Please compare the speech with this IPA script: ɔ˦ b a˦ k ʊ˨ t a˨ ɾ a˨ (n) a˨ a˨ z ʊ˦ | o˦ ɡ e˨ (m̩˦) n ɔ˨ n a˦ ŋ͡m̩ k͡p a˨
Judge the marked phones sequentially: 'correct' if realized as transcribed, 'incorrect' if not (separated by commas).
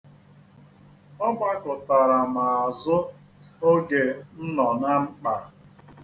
incorrect, incorrect